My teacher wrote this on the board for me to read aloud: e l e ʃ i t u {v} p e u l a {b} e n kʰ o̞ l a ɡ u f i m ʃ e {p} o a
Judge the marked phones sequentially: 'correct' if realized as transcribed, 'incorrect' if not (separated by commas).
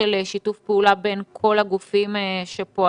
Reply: incorrect, correct, correct